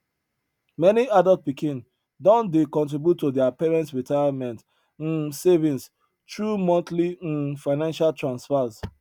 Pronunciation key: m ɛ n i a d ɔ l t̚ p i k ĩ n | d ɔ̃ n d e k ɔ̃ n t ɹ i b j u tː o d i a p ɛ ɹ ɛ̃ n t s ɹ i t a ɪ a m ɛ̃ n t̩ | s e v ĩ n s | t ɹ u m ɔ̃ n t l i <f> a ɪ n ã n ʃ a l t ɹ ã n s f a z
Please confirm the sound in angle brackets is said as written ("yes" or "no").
yes